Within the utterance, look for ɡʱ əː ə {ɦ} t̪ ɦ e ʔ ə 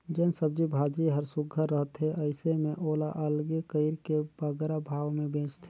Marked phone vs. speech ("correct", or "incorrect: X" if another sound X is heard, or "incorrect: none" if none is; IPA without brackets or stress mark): correct